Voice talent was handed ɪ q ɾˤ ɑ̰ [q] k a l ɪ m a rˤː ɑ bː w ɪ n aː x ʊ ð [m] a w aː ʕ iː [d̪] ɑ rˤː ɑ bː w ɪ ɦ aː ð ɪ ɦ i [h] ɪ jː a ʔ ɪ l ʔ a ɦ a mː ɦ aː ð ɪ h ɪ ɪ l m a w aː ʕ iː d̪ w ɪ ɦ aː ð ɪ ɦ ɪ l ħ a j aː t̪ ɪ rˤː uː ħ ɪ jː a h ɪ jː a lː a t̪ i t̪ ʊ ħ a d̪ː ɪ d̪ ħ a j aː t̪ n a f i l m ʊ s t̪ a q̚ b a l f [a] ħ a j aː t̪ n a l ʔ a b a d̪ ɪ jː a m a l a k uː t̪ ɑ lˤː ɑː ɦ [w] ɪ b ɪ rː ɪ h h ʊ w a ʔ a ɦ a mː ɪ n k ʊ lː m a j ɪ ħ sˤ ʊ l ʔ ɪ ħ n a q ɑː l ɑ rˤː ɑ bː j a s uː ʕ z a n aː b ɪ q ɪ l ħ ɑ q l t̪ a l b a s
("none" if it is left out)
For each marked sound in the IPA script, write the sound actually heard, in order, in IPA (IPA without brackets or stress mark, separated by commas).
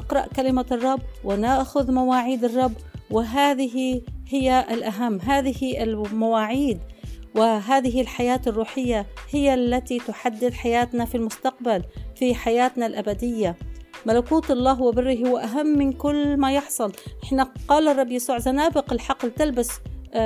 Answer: ʔ, m, d̪, h, i, w